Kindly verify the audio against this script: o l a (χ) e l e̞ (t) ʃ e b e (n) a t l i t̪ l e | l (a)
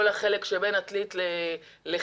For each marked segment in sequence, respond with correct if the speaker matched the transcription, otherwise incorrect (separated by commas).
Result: correct, incorrect, correct, incorrect